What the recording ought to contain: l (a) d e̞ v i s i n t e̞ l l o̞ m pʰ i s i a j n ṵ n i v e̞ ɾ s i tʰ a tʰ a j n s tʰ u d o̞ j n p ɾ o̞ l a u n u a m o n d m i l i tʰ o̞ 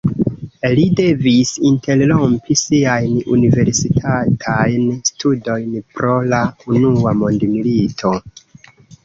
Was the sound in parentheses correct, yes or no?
no